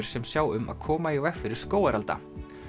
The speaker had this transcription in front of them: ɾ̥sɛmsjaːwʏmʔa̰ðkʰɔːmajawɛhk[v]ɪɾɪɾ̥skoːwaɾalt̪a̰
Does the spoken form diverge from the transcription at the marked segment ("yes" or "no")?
yes